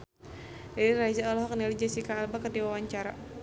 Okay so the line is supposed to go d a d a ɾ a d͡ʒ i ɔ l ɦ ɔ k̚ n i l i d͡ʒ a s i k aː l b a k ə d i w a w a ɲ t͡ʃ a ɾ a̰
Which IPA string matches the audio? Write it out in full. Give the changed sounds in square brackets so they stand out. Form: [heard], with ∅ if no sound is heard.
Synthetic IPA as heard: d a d [i] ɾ a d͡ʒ [a] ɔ l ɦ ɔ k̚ n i l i d͡ʒ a s i k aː l b a k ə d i w a w a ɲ t͡ʃ a ɾ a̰